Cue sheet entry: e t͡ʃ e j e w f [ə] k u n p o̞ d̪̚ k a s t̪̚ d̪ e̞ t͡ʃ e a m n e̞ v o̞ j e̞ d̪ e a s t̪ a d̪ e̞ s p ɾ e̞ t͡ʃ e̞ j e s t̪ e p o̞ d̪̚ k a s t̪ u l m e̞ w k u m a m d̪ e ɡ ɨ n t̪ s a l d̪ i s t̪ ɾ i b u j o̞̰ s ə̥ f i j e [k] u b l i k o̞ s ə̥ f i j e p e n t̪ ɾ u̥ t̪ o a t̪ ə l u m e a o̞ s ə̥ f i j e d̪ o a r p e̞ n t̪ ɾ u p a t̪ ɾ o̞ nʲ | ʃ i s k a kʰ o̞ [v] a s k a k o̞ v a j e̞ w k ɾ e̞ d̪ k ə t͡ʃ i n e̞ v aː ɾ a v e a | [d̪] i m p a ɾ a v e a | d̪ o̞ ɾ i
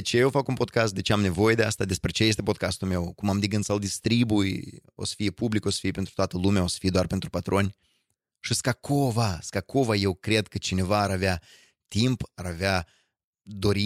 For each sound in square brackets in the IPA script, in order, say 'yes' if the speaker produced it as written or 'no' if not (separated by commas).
no, no, yes, no